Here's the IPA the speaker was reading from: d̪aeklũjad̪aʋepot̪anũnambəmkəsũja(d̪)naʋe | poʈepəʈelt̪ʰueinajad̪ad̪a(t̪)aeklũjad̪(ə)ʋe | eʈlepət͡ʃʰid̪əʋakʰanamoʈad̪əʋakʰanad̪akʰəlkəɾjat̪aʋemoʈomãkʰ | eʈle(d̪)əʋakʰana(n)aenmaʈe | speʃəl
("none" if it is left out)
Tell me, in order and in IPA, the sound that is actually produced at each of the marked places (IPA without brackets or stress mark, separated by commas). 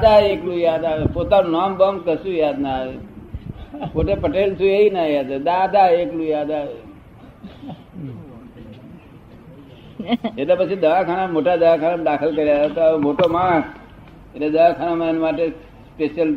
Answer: d̪, d̪, a, d̪, m